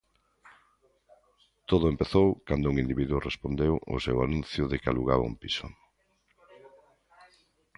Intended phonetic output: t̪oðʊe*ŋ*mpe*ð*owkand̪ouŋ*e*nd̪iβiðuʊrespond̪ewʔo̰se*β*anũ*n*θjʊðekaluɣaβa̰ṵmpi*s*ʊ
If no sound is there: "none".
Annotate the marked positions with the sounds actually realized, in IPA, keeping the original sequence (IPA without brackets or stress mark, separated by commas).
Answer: none, θ, i, w, n, s